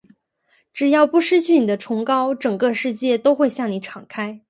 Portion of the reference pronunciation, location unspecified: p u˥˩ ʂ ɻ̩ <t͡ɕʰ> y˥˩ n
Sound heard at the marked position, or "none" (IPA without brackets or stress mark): t͡ɕʰ